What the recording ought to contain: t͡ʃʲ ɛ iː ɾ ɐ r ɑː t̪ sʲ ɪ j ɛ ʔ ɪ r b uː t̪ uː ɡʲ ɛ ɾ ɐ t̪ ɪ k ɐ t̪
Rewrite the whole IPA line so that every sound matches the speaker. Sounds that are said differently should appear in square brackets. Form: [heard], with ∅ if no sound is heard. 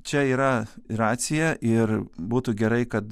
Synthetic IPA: t͡ʃʲ ɛ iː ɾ ɐ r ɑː t̪ sʲ ɪ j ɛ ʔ ɪ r b uː t̪ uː ɡʲ ɛ ɾ ɐ [∅] ɪ k ɐ t̪